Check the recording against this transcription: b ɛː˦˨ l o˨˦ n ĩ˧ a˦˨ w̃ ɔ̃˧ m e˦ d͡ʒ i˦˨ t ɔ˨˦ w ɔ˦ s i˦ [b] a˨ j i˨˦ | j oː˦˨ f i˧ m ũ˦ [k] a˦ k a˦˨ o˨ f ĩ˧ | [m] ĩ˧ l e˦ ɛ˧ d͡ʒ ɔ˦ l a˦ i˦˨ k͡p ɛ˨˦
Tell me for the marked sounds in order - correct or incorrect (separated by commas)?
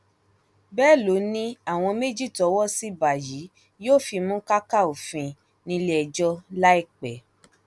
correct, correct, incorrect